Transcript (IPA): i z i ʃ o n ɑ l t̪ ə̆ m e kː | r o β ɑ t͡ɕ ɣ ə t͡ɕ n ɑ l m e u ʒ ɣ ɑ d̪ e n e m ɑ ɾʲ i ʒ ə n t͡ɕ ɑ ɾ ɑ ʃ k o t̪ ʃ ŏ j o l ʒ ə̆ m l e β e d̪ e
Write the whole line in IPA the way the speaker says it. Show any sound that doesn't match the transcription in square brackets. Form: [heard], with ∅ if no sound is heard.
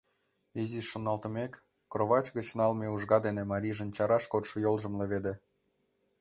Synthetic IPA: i z i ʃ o n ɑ l t̪ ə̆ m e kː | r o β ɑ t͡ɕ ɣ ə t͡ɕ n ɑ l m e u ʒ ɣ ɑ d̪ e n e m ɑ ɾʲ i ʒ ə n t͡ɕ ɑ ɾ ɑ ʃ k o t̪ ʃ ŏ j o l ʒ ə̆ m l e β e d̪ e